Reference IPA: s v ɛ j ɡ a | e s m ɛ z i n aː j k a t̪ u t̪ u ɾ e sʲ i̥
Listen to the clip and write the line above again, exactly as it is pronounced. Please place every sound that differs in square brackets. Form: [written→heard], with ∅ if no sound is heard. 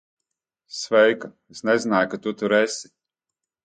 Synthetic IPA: s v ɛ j [ɡ→k] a | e s [m→n] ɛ z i n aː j k a t̪ u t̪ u ɾ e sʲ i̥